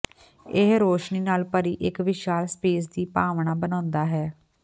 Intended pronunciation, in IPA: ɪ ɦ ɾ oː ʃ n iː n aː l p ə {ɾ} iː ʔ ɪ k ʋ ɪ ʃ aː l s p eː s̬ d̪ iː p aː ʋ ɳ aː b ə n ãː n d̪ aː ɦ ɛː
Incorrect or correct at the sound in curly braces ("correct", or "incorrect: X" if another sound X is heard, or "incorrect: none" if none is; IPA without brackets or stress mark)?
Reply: correct